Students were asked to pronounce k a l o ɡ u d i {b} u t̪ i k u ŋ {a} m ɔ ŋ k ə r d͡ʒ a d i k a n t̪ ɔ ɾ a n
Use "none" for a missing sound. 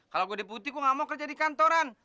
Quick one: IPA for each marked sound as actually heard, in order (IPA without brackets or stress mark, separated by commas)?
p, a